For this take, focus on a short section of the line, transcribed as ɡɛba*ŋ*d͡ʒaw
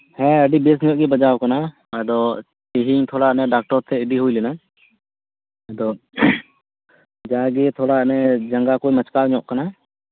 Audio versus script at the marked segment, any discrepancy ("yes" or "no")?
yes